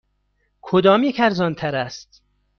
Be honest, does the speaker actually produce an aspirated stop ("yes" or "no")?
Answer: yes